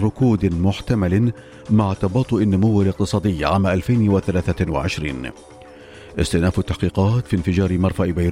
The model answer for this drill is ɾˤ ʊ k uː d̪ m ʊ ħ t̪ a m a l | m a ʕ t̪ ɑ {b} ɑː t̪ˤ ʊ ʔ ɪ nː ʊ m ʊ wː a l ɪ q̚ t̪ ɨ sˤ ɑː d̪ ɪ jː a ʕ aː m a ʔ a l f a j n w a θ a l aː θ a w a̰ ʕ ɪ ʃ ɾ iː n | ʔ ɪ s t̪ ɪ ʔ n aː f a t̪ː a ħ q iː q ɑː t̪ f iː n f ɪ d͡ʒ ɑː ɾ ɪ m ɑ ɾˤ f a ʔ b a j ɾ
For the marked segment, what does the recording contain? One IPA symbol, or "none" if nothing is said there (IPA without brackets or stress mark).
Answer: b